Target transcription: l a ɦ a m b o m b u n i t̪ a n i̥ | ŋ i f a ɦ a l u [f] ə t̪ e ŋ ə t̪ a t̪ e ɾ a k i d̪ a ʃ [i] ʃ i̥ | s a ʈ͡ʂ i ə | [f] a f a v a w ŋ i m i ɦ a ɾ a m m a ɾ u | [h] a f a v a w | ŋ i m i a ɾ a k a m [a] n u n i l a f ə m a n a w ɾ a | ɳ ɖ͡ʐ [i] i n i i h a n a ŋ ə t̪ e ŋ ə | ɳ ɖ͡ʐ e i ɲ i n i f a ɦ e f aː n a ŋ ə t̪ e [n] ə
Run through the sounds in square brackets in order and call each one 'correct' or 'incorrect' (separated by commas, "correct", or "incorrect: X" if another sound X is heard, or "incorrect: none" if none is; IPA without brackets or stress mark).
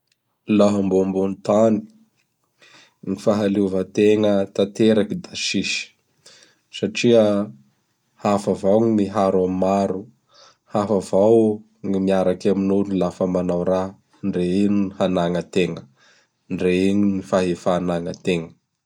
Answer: incorrect: v, correct, incorrect: h, correct, incorrect: i, incorrect: e, incorrect: ŋ